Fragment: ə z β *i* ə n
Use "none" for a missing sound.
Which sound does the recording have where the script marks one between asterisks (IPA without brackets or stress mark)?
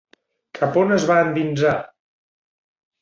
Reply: a